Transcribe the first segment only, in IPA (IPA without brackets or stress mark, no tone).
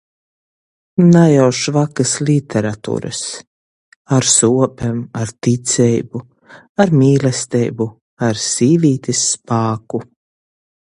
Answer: n